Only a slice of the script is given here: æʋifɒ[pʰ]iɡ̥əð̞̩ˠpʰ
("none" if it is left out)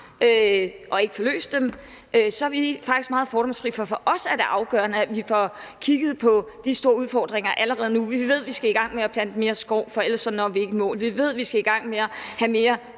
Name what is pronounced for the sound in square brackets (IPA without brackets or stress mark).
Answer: kʰ